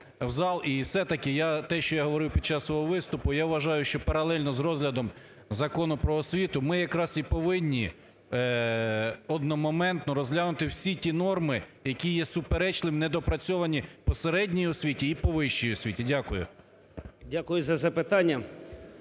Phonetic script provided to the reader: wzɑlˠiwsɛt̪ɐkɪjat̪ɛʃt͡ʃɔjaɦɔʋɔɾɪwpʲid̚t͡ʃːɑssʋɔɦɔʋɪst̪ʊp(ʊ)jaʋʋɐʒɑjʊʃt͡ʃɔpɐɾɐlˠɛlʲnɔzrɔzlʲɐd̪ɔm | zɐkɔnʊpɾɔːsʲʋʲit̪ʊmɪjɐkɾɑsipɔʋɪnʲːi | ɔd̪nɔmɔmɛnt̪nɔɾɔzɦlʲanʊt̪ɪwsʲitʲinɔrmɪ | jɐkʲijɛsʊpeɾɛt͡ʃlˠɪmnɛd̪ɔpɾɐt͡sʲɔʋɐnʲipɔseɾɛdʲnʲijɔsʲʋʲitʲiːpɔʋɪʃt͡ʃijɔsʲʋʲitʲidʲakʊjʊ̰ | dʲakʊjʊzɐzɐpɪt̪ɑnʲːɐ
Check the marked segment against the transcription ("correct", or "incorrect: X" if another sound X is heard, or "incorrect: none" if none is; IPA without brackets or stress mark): correct